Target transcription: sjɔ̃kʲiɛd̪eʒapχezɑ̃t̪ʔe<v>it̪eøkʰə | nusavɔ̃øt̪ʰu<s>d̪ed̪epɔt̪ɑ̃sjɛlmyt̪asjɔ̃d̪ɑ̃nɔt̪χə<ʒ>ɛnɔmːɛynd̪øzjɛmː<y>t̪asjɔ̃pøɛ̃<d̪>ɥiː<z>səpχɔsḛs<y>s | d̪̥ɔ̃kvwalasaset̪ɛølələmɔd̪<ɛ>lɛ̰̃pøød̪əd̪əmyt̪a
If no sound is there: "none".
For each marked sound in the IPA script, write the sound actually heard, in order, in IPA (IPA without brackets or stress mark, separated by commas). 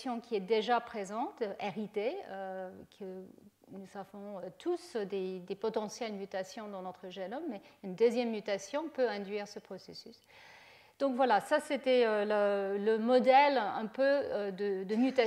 ʁ, s, ʒ, y, d̪, ʁ, y, ɛ